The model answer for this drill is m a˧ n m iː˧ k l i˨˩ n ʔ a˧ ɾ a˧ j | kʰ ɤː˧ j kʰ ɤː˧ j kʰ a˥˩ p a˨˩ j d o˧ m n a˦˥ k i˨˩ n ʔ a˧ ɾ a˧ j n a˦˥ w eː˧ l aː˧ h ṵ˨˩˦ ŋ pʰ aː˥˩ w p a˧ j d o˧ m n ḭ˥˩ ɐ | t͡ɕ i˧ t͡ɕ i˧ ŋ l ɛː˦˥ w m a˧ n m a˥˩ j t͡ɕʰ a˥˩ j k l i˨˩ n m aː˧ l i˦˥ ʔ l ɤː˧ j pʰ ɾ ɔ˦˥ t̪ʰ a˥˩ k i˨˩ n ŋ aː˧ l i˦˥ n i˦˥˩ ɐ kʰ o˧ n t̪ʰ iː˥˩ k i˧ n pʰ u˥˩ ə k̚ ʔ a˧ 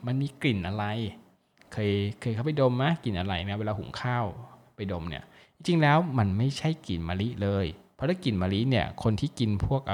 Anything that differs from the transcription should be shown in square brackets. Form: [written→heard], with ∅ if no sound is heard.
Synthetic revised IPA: m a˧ n m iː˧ k l i˨˩ n ʔ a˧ ɾ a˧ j | kʰ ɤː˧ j kʰ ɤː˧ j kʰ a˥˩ p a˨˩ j d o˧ m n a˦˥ k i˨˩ n ʔ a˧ ɾ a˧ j n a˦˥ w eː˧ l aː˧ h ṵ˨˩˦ ŋ [pʰ→kʰ] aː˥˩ w p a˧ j d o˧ m n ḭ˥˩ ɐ | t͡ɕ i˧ t͡ɕ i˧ ŋ l ɛː˦˥ w m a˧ n m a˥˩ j t͡ɕʰ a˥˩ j k l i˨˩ n m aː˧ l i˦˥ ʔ l ɤː˧ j pʰ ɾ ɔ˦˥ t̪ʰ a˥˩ k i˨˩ n [ŋ→m] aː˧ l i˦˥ n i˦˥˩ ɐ kʰ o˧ n t̪ʰ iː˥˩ k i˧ n pʰ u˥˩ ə k̚ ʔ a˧